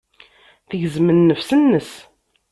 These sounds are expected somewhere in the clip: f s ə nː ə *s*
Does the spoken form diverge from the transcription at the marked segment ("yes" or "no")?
no